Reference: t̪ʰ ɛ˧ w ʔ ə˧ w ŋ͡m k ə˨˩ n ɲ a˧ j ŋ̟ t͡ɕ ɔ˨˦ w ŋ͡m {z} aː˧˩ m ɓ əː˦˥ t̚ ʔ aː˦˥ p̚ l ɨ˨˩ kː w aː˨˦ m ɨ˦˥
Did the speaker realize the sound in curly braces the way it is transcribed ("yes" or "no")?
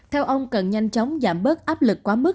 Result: yes